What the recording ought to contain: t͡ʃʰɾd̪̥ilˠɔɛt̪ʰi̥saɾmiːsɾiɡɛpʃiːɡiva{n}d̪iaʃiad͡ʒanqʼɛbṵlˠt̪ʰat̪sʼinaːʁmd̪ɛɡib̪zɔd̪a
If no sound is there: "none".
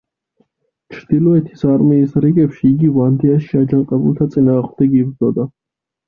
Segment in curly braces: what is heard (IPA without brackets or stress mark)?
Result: n